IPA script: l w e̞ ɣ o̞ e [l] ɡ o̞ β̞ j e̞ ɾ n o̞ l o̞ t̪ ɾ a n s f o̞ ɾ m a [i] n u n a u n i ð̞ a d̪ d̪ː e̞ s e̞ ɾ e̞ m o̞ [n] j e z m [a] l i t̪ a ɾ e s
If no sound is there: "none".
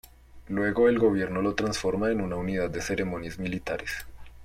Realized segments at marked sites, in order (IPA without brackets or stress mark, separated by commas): l, e, n, i